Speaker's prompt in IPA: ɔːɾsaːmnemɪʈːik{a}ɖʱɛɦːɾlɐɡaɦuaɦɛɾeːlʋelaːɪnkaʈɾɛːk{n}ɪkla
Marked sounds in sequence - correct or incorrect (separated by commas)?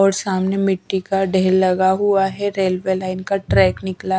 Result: correct, correct